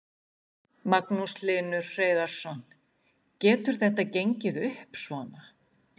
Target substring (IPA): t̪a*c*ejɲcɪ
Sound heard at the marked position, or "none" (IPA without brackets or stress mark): c